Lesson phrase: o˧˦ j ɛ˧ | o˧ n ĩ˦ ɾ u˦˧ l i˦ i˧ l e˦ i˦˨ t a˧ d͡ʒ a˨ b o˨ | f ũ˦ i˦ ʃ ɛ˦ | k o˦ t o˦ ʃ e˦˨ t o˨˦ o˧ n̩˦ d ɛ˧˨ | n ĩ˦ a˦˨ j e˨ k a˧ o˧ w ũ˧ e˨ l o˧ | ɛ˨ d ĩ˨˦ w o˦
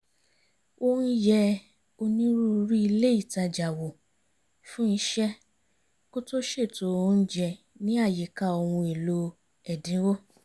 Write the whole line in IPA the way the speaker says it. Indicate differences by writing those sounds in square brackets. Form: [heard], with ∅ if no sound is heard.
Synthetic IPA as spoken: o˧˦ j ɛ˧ | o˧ n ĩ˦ ɾ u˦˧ [ɾ] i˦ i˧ l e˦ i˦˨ t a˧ d͡ʒ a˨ [w] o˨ | f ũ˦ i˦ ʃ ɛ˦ | k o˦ t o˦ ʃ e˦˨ t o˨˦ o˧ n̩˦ [d͡ʒ] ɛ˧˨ | n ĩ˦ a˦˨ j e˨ k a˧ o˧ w ũ˧ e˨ l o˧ | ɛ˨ d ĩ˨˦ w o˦

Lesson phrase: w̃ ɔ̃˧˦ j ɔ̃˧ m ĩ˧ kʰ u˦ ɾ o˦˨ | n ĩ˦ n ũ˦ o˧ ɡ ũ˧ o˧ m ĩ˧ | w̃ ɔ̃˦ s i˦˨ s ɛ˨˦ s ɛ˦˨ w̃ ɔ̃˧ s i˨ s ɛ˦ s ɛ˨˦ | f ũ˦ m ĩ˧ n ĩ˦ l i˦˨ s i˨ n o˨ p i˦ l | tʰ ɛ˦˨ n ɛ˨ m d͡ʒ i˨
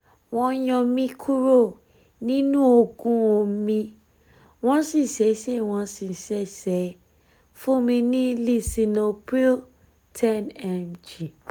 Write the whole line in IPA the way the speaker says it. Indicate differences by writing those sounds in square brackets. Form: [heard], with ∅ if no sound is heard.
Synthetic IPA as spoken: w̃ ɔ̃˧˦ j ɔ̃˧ m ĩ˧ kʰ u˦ ɾ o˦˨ | n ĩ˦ n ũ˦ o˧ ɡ ũ˧ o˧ m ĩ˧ | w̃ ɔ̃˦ s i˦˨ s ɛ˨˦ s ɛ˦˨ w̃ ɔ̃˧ s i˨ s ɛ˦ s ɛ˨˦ | f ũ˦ m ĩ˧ n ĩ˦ l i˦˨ s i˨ n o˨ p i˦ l | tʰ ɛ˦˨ n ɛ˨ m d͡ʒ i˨

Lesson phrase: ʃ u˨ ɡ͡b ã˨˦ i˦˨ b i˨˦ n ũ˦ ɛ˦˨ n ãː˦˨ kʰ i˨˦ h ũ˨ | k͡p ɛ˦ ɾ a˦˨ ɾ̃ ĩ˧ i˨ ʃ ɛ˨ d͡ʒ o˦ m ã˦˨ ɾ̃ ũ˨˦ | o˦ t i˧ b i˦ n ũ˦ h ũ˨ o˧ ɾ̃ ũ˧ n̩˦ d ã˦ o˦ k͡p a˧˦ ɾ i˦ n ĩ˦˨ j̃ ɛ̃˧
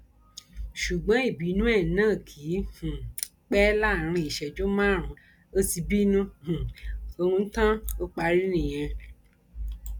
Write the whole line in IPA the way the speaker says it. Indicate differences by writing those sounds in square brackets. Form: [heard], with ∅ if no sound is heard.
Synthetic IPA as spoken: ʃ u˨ ɡ͡b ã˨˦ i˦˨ b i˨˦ n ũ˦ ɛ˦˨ n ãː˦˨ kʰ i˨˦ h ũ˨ | k͡p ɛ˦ [l] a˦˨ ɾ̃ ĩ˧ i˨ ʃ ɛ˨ d͡ʒ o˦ m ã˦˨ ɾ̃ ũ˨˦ | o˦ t i˧ b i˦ n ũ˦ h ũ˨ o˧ ɾ̃ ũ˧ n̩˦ [t] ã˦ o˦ k͡p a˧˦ ɾ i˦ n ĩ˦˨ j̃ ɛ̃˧

